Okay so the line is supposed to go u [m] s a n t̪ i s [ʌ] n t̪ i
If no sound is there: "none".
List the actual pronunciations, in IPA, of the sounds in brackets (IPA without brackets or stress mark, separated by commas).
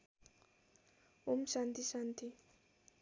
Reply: m, a